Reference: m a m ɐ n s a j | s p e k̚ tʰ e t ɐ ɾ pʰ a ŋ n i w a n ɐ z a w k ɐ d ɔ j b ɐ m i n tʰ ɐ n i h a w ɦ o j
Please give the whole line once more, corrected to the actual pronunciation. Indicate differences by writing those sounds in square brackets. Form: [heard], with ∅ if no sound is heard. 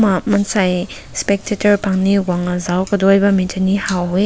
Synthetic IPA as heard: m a m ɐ n s a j | s p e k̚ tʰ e t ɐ ɾ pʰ a ŋ n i w a [ŋ] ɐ z a w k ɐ d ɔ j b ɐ m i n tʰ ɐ n i h a w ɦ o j

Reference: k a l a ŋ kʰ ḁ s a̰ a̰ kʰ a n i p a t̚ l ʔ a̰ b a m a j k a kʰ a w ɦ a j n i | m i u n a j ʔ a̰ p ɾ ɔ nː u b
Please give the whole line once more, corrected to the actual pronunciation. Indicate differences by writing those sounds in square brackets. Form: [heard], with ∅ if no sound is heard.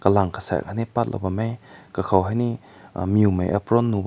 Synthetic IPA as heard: k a l a ŋ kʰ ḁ s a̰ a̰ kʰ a n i p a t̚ l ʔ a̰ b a m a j k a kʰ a w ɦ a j n i | m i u [m] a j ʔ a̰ p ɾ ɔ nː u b

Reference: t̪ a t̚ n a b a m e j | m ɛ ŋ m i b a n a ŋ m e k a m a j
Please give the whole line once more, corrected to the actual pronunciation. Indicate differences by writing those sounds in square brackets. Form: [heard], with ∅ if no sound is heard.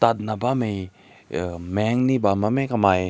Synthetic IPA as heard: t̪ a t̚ n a b a m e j | m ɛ ŋ [n] i b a [m] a [∅] m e k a m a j

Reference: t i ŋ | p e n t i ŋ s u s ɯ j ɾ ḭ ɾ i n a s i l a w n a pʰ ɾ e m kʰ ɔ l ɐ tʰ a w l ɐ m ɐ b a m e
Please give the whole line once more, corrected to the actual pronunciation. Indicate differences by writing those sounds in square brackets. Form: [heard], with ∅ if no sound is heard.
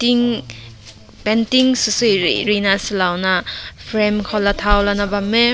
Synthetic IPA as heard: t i ŋ | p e n t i ŋ s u s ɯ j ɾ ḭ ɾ i n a s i l a w n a pʰ ɾ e m kʰ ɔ l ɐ tʰ a w l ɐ [n] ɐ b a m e

